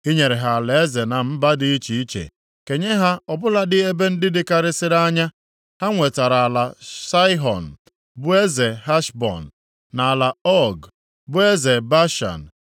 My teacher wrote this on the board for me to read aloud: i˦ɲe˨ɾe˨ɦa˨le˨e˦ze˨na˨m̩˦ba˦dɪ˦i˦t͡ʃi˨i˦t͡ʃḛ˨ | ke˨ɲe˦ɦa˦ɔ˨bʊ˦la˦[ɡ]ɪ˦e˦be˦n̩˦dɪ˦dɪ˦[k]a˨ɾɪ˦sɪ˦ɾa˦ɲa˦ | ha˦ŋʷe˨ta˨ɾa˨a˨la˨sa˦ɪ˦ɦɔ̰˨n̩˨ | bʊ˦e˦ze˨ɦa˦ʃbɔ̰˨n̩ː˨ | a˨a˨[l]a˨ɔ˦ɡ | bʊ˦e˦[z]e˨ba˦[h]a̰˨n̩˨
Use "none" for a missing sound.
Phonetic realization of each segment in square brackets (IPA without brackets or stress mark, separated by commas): d, k, l, z, ʃ